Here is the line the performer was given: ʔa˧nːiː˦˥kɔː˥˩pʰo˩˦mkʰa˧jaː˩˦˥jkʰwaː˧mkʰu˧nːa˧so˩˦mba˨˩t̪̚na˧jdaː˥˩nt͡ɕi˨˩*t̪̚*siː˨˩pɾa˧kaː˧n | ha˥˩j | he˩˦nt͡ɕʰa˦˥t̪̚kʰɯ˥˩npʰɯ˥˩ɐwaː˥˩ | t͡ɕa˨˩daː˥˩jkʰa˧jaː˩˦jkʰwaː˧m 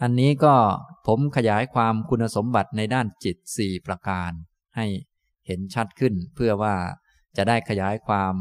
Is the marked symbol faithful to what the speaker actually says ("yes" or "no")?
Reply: yes